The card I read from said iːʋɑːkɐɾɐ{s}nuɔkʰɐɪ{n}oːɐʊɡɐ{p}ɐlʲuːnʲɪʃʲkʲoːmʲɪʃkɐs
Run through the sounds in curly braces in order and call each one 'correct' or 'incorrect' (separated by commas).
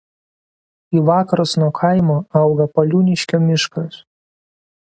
correct, incorrect, correct